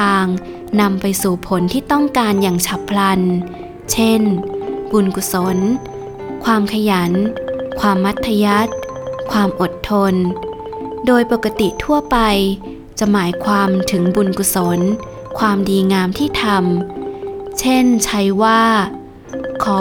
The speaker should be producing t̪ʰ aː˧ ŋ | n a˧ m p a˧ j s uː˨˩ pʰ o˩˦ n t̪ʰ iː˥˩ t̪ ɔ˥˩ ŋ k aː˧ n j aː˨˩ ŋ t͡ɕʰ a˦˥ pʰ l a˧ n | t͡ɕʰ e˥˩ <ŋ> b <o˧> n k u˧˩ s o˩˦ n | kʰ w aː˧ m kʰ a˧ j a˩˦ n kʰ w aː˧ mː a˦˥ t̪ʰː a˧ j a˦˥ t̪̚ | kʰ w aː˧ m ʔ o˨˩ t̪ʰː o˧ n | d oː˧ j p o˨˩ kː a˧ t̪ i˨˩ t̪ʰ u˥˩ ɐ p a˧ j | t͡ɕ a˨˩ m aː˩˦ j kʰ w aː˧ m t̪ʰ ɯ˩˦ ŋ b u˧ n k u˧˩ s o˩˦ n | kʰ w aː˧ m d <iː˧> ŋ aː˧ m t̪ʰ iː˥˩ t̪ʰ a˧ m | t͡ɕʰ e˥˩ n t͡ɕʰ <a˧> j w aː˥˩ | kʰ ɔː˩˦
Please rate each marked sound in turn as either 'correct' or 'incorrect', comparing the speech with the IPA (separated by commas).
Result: incorrect, incorrect, correct, incorrect